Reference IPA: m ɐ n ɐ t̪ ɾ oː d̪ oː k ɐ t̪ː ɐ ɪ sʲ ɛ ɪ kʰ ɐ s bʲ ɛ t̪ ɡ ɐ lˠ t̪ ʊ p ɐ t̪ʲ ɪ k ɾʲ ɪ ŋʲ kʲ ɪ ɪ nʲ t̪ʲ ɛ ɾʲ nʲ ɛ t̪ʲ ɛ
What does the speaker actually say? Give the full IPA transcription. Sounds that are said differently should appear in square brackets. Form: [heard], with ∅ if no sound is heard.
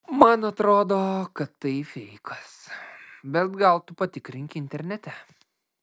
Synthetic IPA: m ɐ n ɐ t̪ ɾ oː d̪ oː k ɐ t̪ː ɐ ɪ [fʲ] ɛ ɪ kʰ ɐ s bʲ ɛ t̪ ɡ ɐ lˠ t̪ ʊ p ɐ t̪ʲ ɪ k ɾʲ ɪ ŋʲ kʲ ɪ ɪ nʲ t̪ʲ ɛ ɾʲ nʲ ɛ t̪ʲ ɛ

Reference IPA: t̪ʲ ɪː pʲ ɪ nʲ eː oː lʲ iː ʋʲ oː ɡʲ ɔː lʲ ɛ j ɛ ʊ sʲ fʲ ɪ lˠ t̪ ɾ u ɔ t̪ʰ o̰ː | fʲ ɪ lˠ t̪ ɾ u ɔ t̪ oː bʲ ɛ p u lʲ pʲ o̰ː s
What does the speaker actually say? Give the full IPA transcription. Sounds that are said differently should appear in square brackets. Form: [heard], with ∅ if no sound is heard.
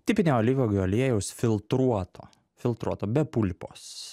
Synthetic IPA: t̪ʲ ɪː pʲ ɪ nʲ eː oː lʲ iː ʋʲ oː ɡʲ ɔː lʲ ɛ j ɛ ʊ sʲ fʲ ɪ lˠ t̪ ɾ u ɔ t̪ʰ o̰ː | fʲ ɪ lˠ t̪ ɾ u ɔ t̪ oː bʲ ɛ p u lʲ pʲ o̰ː s

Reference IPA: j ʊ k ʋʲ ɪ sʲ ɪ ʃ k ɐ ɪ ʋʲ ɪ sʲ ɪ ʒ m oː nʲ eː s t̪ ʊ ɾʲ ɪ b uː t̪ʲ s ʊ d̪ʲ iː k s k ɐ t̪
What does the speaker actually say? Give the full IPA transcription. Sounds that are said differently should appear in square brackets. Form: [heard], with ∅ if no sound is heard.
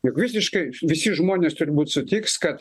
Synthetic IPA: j ʊ k ʋʲ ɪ sʲ ɪ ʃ k ɐ ɪ ʋʲ ɪ sʲ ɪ ʒ m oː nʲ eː s t̪ ʊ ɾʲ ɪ b uː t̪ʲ s ʊ [t̪ʲ] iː k s k ɐ t̪

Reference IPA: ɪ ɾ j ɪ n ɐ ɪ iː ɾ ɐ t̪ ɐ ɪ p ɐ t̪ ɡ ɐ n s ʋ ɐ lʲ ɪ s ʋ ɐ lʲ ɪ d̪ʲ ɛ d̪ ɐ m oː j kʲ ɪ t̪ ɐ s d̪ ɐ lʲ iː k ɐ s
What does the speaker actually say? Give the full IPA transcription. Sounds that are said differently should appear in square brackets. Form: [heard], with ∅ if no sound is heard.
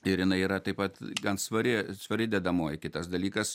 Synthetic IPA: ɪ ɾ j ɪ n ɐ ɪ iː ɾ ɐ t̪ ɐ ɪ p ɐ t̪ ɡ ɐ n s ʋ ɐ [ɾʲ] ɪ s ʋ ɐ [ɾʲ] ɪ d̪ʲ ɛ d̪ ɐ m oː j kʲ ɪ t̪ ɐ s d̪ ɐ lʲ iː k ɐ s

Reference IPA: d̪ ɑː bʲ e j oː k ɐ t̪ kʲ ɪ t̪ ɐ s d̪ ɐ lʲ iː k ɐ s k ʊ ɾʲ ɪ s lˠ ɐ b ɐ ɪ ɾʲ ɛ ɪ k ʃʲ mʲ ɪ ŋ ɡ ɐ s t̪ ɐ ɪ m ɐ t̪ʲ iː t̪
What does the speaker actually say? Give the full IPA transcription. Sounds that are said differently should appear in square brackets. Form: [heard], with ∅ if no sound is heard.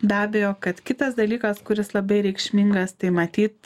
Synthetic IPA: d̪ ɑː bʲ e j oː k ɐ t̪ kʲ ɪ t̪ ɐ s d̪ ɐ lʲ iː k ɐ s k ʊ ɾʲ ɪ s lˠ ɐ b ɐ ɪ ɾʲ ɛ ɪ k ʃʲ mʲ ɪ ŋ ɡ ɐ s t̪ ɐ ɪ m ɐ t̪ʲ iː t̪

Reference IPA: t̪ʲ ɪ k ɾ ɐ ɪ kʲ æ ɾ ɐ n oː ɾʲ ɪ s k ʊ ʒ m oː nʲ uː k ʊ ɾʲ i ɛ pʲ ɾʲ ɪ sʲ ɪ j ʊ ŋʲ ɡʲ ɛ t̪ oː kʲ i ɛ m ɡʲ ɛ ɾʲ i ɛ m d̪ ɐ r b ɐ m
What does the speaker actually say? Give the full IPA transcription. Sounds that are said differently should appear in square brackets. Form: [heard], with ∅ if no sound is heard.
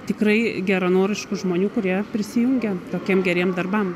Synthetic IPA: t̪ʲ ɪ k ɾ ɐ ɪ [ɡʲ] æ ɾ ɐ n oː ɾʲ ɪ [ʃ] k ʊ ʒ m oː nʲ uː k ʊ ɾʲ i ɛ pʲ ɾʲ ɪ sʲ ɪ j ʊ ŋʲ ɡʲ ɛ t̪ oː kʲ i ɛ m ɡʲ ɛ ɾʲ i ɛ m d̪ ɐ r b ɐ m

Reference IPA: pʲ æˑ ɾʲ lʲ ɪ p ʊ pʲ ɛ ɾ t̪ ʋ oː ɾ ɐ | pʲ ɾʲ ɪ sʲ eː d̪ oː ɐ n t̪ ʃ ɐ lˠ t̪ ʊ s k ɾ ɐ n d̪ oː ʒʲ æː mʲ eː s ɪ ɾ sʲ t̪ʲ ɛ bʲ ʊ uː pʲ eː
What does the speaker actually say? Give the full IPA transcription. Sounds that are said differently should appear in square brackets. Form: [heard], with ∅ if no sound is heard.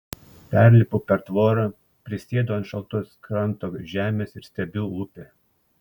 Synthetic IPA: pʲ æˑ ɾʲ lʲ ɪ p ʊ pʲ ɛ ɾ t̪ ʋ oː ɾ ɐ | pʲ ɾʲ ɪ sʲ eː d̪ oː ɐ n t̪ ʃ ɐ lˠ t̪ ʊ s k ɾ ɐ n [t̪] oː ʒʲ æː mʲ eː s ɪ ɾ sʲ t̪ʲ ɛ bʲ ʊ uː pʲ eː

